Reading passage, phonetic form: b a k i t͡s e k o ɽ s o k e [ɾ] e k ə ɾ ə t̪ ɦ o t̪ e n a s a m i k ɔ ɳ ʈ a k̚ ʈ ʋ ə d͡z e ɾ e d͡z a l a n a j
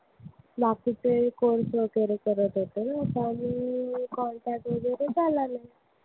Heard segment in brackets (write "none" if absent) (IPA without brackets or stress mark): ɾ